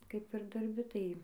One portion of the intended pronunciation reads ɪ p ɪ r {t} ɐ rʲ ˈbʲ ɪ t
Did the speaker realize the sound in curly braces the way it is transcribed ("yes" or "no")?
no